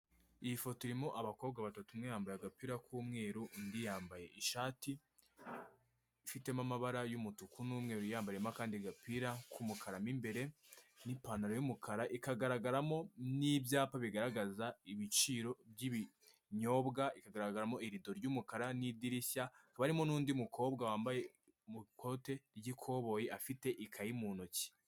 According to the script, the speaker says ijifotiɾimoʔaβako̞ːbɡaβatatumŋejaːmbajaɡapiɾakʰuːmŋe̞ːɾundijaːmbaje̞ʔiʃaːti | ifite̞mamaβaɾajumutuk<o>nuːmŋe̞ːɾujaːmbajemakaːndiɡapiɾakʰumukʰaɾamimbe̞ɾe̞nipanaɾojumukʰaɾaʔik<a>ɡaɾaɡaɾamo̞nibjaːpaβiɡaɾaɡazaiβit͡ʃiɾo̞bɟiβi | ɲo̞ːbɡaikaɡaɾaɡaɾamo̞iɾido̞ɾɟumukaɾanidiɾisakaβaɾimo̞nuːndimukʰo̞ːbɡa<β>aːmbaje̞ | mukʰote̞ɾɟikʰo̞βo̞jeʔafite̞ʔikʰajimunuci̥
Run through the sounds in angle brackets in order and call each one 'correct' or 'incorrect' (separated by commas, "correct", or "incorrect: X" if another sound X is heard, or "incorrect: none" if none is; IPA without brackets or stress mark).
incorrect: u, correct, incorrect: w